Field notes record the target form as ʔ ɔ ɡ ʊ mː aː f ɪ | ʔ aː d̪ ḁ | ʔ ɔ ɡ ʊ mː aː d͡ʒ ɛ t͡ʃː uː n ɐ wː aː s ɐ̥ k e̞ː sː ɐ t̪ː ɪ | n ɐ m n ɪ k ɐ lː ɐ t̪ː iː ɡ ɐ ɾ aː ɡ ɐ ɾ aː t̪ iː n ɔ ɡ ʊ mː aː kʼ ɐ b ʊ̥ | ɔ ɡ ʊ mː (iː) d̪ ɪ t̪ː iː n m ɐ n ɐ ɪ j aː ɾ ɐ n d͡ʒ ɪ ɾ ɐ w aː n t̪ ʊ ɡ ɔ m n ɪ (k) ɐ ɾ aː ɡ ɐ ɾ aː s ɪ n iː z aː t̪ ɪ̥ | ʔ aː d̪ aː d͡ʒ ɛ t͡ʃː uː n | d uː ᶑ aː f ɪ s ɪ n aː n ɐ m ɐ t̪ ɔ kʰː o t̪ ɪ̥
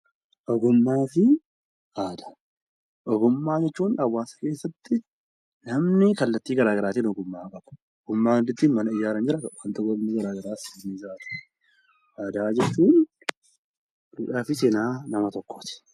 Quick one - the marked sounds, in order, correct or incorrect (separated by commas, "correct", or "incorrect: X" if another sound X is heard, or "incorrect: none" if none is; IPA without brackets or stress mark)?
incorrect: aː, incorrect: ɡ